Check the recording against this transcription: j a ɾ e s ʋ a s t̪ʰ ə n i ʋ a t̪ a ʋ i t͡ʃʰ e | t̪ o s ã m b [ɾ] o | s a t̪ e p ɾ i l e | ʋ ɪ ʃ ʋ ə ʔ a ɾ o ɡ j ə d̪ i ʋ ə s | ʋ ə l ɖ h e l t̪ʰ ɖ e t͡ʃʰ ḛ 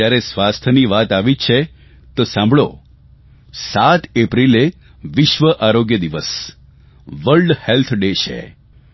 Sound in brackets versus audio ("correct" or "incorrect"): incorrect